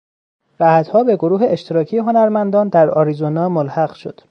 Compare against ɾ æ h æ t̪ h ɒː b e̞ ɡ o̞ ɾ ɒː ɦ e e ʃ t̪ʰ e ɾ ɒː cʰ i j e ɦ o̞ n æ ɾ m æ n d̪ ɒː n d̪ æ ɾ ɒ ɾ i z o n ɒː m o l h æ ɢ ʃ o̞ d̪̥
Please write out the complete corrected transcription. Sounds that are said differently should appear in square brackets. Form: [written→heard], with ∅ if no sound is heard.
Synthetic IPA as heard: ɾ æ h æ t̪ h ɒː b e̞ ɡ o̞ ɾ [ɒː→uː] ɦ e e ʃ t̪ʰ e ɾ ɒː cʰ i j e ɦ o̞ n æ ɾ m æ n d̪ ɒː n d̪ æ ɾ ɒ ɾ i z o n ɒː m o l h æ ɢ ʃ o̞ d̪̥